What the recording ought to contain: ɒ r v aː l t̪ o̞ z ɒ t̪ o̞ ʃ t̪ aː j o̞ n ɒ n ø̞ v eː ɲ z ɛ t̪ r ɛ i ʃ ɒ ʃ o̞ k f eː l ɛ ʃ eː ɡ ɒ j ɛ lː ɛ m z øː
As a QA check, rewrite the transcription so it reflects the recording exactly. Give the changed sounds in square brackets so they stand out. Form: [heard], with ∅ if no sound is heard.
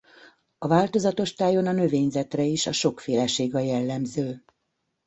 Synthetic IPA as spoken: ɒ [∅] v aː l t̪ o̞ z ɒ t̪ o̞ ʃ t̪ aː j o̞ n ɒ n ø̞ v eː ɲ z ɛ t̪ r ɛ i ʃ ɒ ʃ o̞ k f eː l ɛ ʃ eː ɡ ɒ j ɛ lː ɛ m z øː